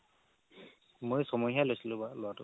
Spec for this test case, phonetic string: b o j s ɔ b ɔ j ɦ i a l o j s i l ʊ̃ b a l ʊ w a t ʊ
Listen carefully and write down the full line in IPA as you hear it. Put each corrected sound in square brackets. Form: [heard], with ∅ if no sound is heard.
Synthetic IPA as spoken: [m] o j s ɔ [m] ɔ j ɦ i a l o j s i l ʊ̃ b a l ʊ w a t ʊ